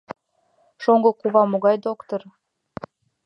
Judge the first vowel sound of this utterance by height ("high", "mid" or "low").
mid